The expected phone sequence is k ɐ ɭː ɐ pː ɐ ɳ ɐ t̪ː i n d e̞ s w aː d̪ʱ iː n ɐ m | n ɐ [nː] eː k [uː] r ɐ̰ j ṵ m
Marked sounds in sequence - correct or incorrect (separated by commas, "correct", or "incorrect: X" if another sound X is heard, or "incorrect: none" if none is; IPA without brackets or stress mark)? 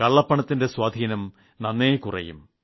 correct, incorrect: u